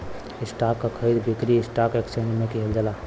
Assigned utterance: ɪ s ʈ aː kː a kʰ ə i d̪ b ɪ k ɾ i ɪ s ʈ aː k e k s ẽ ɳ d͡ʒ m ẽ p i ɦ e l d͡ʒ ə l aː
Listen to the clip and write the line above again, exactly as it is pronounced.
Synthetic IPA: ɪ s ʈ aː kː a kʰ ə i d̪ b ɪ k ɾ i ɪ s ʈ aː k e k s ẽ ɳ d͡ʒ m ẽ k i ɦ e l d͡ʒ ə l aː